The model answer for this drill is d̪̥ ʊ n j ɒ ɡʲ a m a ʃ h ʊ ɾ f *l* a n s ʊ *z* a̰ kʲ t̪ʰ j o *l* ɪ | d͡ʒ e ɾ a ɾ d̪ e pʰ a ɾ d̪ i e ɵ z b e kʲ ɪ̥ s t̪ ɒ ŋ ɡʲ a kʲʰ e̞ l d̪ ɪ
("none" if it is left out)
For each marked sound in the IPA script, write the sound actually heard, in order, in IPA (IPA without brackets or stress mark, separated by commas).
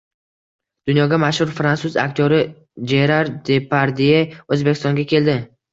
ɾ, z, ɾ